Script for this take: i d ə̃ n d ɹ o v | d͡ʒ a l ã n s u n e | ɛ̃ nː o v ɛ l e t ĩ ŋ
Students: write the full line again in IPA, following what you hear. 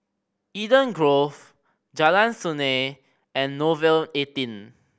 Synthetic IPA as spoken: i d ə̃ n ɡ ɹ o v | d͡ʒ a l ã n s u n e | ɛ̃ nː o v ɛ l e t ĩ n